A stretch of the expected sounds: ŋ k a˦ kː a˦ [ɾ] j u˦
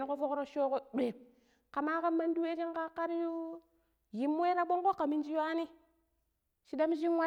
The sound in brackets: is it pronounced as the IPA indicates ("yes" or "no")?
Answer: yes